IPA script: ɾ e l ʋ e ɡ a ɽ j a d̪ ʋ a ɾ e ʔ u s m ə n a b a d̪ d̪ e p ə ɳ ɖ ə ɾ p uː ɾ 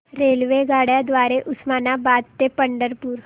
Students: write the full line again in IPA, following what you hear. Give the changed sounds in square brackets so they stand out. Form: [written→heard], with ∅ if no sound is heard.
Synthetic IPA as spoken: ɾ e l ʋ e ɡ a ɽ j a d̪ ʋ a ɾ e ʔ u s m [ə→a] n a b a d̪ [d̪→t̪] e p ə ɳ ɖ ə ɾ p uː ɾ